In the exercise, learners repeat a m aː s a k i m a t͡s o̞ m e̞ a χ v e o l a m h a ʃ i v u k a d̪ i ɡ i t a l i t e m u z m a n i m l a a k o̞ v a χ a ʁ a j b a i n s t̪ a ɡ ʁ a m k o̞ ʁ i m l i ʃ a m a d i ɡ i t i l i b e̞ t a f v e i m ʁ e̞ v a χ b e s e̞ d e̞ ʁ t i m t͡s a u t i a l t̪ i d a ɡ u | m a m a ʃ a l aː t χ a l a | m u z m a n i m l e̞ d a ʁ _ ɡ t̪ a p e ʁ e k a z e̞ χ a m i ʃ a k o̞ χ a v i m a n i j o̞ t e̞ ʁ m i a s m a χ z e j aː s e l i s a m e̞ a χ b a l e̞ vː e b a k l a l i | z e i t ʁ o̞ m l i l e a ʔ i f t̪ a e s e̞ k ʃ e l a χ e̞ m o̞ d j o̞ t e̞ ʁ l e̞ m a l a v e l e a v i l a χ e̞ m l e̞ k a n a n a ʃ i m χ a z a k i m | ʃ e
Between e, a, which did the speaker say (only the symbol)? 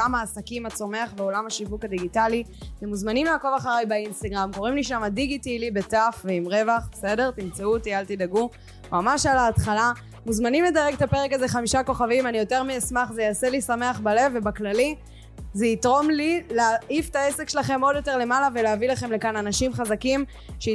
e